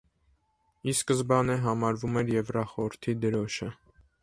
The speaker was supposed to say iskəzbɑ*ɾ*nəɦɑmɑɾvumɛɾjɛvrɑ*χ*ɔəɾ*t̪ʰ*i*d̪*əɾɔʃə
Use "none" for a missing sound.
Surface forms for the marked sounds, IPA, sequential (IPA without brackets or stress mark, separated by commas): none, χ, t̪ʰ, d̪